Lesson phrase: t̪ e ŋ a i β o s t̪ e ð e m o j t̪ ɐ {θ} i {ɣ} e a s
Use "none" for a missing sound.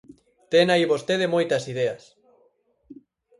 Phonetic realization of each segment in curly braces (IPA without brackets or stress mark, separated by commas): s, ð